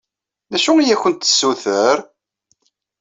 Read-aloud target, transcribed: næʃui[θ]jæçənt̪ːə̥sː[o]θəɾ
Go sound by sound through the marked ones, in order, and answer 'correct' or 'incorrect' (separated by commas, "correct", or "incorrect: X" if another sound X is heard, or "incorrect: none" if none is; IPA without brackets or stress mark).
incorrect: none, incorrect: u